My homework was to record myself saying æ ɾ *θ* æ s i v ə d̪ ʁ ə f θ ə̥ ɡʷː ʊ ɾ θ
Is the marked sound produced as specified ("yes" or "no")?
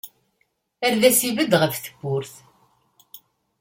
no